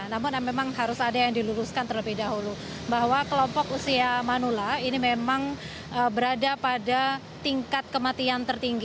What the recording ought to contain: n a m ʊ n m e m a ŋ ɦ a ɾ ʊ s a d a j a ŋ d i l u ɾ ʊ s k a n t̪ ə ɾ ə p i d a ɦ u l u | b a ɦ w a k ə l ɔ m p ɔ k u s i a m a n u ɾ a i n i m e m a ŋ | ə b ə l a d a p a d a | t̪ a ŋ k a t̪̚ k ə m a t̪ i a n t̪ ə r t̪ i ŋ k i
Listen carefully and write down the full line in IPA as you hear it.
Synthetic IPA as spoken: n a m ʊ n m e m a ŋ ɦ a ɾ ʊ s a d a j a ŋ d i l u ɾ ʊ s k a n t̪ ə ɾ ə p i d a ɦ u l u | b a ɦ w a k ə l ɔ m p ɔ k u s i a m a n u l a i n i m e m a ŋ | ə b ə ɾ a d a p a d a | t̪ i ŋ k a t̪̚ k ə m a t̪ i a n t̪ ə r t̪ i ŋ ɡ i